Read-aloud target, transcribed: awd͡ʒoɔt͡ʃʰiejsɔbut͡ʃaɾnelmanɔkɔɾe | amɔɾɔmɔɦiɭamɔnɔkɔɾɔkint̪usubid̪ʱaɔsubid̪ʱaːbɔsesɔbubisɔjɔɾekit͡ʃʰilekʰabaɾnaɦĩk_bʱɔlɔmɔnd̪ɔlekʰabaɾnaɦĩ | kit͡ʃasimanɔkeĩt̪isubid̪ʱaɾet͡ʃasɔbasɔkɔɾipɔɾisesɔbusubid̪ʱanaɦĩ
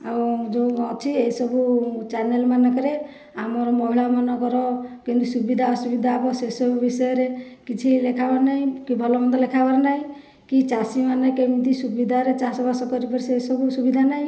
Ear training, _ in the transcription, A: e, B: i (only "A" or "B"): B